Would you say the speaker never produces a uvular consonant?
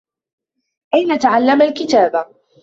yes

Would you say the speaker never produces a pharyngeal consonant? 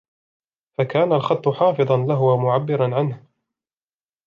no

